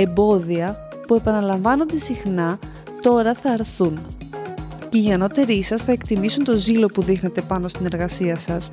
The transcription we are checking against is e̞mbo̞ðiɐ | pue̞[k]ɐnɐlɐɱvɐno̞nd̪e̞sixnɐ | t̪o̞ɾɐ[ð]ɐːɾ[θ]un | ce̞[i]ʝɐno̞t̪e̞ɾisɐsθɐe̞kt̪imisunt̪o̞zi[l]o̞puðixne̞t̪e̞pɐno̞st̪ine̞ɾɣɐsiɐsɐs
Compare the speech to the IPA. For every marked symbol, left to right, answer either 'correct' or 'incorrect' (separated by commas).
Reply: incorrect, incorrect, correct, correct, correct